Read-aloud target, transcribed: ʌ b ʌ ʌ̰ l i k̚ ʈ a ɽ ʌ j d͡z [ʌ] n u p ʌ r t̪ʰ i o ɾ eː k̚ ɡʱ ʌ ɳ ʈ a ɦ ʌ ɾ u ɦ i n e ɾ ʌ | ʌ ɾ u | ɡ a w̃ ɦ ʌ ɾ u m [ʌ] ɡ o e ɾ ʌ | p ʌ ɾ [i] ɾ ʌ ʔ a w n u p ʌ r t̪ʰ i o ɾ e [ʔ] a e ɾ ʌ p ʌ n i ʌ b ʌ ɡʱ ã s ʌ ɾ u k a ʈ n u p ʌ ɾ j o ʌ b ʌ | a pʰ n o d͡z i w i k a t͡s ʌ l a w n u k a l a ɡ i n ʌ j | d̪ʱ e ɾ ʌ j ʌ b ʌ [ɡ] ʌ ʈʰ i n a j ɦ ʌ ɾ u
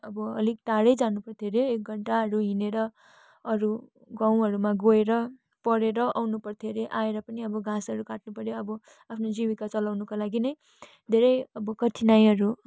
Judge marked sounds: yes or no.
no, no, no, yes, no

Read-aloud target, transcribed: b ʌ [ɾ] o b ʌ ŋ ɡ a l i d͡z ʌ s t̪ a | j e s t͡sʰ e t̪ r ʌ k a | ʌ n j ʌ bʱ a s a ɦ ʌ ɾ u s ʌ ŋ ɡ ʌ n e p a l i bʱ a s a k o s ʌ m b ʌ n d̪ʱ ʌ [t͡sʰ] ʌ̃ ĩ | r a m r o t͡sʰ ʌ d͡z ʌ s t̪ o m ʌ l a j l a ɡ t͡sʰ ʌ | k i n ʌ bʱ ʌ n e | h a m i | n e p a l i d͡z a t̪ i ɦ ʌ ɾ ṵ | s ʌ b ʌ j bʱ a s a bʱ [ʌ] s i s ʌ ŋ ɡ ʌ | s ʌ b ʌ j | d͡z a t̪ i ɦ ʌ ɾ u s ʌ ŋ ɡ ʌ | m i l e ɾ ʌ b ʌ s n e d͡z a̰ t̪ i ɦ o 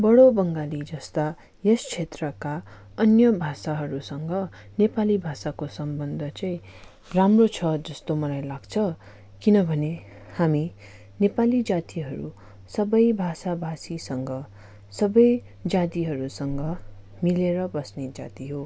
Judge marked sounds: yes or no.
no, no, no

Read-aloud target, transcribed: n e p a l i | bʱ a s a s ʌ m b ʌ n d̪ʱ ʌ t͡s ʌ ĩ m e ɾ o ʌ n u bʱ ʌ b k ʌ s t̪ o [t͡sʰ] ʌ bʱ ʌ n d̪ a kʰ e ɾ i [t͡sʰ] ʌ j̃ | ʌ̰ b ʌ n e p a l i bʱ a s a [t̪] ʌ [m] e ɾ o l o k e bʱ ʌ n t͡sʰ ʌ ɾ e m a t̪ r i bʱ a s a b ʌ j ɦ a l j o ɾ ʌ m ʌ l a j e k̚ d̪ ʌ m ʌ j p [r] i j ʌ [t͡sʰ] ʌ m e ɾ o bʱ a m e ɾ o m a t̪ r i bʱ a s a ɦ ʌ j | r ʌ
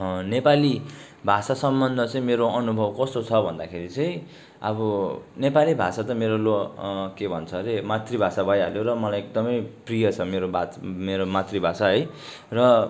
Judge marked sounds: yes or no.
yes, no, yes, yes, yes, yes

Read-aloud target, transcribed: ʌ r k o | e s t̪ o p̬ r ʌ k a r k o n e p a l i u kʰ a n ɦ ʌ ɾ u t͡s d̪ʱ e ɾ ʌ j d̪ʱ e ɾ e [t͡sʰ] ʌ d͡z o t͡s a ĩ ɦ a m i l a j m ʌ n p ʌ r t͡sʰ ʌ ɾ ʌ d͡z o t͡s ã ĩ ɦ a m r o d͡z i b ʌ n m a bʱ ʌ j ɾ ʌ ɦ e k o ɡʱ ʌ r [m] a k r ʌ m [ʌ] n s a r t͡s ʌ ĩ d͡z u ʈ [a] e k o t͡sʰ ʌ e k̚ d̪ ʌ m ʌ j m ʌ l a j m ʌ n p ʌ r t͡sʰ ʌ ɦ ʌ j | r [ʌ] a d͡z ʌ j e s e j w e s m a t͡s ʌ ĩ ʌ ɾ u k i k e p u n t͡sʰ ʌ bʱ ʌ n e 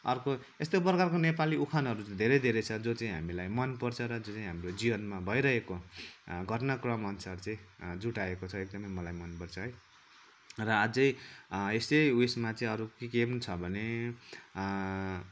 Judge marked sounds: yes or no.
yes, no, yes, yes, yes

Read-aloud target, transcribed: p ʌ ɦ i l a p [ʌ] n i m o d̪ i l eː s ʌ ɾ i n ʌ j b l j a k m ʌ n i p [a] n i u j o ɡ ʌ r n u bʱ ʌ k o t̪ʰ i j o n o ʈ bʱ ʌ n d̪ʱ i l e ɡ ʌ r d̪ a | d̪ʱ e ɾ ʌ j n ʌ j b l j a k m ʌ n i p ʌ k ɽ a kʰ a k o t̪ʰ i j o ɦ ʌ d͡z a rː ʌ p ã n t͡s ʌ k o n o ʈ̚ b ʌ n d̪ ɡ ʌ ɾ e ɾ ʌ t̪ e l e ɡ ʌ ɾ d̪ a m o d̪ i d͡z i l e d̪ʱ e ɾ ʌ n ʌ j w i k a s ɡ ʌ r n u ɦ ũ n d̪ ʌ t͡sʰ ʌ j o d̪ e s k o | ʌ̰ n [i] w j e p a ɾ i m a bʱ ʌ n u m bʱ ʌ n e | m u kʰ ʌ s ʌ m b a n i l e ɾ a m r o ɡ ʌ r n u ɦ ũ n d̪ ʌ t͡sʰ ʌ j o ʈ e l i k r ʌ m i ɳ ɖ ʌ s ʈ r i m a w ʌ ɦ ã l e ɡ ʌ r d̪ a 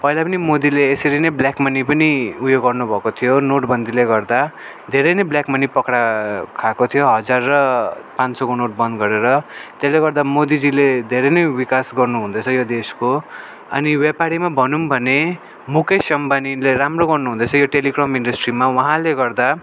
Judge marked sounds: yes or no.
yes, no, yes

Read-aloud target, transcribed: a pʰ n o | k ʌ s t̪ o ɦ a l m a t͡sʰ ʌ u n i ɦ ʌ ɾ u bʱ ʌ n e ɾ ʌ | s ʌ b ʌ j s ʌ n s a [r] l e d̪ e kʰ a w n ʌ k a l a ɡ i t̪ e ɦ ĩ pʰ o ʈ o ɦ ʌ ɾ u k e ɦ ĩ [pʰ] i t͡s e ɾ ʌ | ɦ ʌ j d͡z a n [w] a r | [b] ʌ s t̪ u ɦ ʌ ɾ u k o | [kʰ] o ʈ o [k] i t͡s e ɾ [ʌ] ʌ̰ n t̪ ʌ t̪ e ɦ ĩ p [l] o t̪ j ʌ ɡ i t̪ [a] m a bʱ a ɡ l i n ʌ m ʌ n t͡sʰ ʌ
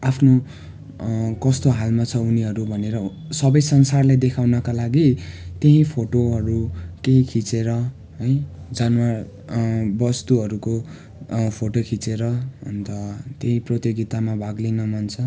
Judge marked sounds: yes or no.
yes, no, yes, yes, no, no, yes, no, yes

